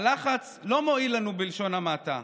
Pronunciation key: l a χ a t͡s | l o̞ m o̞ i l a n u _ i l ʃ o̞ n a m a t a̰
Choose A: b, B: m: A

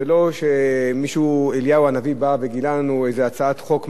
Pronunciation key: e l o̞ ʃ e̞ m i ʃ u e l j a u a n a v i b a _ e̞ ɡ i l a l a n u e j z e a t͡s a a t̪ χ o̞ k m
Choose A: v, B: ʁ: A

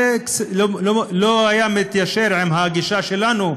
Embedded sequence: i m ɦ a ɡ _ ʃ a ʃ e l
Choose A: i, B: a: A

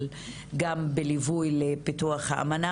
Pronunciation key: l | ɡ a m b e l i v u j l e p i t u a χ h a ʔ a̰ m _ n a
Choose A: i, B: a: B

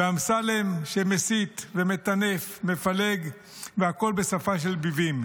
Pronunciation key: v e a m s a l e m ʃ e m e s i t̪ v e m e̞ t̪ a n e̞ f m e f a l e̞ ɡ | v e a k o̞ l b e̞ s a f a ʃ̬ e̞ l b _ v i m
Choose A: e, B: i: B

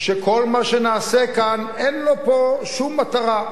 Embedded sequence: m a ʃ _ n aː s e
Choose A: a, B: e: B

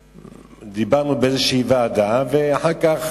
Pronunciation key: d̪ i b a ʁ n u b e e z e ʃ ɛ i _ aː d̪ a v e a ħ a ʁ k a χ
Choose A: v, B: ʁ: A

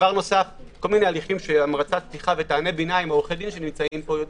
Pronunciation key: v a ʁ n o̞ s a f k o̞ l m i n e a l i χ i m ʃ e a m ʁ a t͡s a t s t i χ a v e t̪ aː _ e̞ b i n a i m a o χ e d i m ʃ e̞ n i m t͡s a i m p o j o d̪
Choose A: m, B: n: B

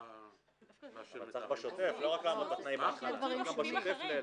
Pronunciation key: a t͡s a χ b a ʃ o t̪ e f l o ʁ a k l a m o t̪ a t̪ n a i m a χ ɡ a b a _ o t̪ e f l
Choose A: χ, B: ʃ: B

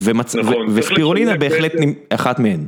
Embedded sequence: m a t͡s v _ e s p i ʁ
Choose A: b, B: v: B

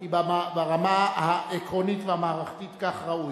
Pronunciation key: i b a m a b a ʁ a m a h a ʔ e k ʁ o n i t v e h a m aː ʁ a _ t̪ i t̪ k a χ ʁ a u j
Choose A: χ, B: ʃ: A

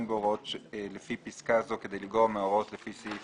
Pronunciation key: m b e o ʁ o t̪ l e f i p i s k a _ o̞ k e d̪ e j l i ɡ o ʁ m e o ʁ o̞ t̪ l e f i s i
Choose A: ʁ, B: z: B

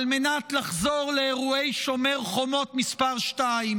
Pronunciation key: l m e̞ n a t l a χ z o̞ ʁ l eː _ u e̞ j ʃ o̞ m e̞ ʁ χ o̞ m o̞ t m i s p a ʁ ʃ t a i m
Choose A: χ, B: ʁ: B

